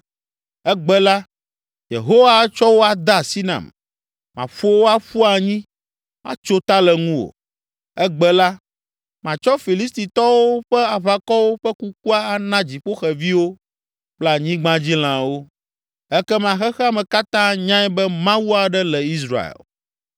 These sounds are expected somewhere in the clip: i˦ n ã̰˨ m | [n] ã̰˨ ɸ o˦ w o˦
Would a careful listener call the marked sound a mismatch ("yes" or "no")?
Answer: yes